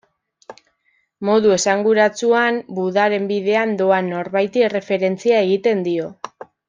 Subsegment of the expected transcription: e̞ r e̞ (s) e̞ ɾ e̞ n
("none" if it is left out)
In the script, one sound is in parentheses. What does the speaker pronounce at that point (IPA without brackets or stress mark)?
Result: f